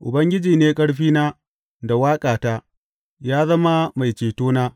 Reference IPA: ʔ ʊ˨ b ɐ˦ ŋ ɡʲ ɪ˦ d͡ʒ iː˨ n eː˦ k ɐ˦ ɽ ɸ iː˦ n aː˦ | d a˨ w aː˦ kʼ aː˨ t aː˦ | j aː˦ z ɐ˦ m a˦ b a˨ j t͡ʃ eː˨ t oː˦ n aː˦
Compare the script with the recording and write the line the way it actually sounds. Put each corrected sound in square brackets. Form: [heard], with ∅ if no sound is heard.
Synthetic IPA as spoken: ʔ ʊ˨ b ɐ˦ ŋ ɡʲ ɪ˦ d͡ʒ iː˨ n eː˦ [kʼ] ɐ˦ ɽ ɸ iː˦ n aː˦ | d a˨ w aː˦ kʼ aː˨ t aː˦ | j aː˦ z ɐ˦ m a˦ [m] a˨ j t͡ʃ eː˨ t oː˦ n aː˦